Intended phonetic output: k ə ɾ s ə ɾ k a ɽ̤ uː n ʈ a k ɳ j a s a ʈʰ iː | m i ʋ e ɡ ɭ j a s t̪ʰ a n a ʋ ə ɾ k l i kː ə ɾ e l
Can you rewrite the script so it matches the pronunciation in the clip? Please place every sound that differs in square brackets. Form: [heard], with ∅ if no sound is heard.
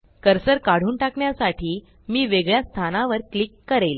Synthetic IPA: k ə ɾ s ə ɾ k a ɽ̤ uː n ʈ a k ɳ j a s a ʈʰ iː | m [iː] ʋ e ɡ ɭ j a s t̪ʰ a n a ʋ ə ɾ k l i kː ə ɾ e l

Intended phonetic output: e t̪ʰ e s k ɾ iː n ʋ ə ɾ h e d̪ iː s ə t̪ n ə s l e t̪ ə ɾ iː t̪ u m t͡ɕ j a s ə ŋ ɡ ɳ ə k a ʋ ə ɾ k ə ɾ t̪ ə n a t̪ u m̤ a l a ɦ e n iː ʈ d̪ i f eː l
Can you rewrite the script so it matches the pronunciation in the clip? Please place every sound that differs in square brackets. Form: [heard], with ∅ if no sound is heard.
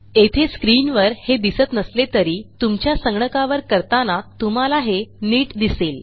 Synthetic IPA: e t̪ʰ e s k ɾ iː n ʋ ə ɾ h e d̪ [i] s ə t̪ n ə s l e t̪ ə ɾ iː t̪ u m t͡ɕ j a s ə ŋ ɡ ɳ ə k a ʋ ə ɾ k ə ɾ t̪ [a] n a t̪ u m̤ a l a ɦ e n iː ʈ d̪ i [s] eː l

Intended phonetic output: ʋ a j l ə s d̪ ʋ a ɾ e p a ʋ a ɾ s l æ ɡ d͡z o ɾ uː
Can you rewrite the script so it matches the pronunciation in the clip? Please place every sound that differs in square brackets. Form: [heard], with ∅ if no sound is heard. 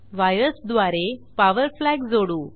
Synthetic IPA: ʋ a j [ɾ] ə s d̪ ʋ a ɾ e p a ʋ [ə] ɾ [f] l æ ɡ d͡z o [ɽ] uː

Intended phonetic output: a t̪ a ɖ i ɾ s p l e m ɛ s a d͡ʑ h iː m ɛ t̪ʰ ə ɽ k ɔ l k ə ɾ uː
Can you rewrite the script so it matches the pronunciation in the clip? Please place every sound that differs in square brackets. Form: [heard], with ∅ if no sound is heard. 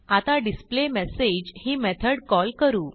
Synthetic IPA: a t̪ a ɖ i [∅] s p l e m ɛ s [e] d͡ʑ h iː m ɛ t̪ʰ ə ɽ k ɔ l k ə ɾ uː

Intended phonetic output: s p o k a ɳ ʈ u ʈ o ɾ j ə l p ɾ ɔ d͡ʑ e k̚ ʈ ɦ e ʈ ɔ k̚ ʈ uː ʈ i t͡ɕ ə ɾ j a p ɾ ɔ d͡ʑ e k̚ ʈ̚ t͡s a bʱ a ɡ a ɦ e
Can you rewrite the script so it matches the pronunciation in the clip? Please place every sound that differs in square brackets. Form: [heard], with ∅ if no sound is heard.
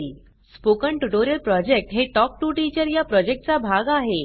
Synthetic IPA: s p o k [ə] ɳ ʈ u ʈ o ɾ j ə l p ɾ ɔ d͡ʑ e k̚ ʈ ɦ e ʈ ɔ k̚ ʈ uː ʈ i t͡ɕ ə ɾ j a p ɾ ɔ d͡ʑ e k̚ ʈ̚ t͡s a bʱ a ɡ a ɦ e

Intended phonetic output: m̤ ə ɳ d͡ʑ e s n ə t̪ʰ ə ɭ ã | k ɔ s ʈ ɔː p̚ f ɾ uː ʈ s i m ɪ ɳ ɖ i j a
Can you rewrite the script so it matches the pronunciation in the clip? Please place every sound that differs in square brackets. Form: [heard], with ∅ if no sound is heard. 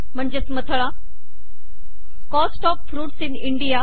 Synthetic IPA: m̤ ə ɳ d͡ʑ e s [m] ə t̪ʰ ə ɭ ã | k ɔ s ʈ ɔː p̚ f ɾ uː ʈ s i [n] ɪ ɳ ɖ i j a

